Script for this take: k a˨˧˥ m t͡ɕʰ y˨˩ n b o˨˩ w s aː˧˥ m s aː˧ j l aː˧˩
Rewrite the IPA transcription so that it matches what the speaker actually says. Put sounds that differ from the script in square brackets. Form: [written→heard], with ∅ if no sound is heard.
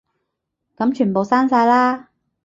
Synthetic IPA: k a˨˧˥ m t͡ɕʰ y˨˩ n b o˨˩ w s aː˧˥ [m→n] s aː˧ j l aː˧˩